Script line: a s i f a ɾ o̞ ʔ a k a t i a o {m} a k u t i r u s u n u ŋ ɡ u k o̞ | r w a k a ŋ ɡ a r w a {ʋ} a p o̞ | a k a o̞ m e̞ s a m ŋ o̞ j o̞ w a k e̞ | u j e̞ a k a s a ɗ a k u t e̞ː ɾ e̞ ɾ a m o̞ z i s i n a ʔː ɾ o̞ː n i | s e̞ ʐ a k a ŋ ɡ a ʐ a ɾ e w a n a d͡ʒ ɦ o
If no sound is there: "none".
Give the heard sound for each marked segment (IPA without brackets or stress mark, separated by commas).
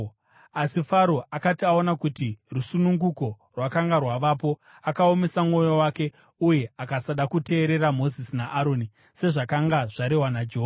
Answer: n, ʋ